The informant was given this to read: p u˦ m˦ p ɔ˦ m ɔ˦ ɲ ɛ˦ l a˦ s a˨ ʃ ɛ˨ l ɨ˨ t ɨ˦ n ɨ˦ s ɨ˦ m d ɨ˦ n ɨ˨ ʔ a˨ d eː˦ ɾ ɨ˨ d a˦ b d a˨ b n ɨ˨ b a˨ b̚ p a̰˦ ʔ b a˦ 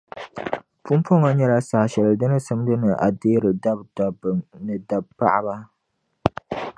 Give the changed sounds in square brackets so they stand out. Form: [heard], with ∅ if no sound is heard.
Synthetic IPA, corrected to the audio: p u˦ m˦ p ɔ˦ [ŋ] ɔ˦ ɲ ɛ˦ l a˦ s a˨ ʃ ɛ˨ l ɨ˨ [d] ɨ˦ n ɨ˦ s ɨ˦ m d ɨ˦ n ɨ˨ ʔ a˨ d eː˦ ɾ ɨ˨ d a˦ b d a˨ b n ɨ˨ [d] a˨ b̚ p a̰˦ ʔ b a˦